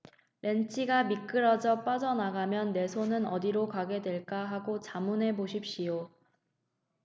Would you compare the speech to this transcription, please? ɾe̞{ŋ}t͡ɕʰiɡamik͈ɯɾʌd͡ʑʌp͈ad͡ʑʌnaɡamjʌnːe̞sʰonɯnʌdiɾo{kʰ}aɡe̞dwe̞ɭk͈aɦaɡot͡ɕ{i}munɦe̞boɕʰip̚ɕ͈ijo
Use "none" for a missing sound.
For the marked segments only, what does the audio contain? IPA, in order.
n, k, a

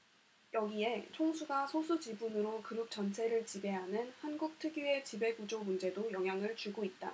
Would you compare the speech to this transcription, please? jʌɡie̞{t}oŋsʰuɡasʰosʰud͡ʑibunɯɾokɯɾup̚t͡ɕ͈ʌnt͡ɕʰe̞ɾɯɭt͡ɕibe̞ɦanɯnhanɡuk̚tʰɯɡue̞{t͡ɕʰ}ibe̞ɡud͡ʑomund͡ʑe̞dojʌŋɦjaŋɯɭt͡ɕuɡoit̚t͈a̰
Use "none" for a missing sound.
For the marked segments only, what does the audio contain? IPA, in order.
t͡ɕʰ, t͡ɕ

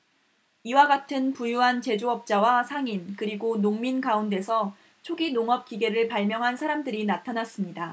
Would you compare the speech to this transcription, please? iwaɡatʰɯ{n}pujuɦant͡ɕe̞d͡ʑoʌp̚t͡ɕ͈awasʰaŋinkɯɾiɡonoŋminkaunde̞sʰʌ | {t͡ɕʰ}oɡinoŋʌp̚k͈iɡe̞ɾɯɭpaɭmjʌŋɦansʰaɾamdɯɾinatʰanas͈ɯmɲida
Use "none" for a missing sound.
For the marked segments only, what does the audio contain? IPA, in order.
n, t͡ɕʰ

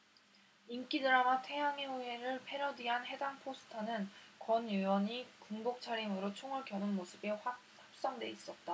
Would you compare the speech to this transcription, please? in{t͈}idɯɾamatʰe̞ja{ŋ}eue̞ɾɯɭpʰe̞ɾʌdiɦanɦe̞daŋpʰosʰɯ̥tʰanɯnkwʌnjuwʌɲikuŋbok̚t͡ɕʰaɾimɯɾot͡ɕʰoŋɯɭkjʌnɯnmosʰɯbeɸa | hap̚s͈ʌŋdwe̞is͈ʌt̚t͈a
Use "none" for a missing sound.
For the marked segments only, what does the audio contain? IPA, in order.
k͈, ŋ

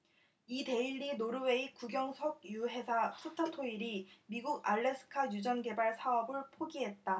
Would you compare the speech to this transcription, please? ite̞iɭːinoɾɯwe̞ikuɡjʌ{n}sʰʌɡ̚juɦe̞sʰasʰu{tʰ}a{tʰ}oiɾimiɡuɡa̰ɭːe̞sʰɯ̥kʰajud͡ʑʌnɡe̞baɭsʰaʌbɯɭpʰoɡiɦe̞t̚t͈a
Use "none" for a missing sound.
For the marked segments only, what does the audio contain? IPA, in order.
ŋ, tʰ, tʰ

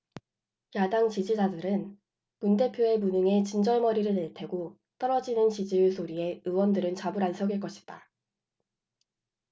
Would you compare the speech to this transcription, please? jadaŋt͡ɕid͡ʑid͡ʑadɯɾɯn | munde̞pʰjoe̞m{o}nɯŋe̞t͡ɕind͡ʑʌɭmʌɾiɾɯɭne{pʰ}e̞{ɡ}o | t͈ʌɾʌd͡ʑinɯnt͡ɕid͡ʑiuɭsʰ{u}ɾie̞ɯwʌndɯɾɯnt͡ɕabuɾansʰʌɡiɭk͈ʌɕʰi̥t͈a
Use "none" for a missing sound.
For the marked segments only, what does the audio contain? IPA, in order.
u, tʰ, ɡ, o

